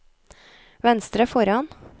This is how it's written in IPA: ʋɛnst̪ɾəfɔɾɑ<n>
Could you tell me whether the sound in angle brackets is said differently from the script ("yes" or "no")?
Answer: no